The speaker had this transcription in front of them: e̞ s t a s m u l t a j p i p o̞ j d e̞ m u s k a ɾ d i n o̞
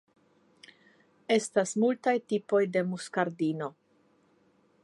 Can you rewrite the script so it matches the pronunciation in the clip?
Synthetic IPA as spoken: e̞ s t a s m u l t a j t i p o̞ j d e̞ m u s k a ɾ d i n o̞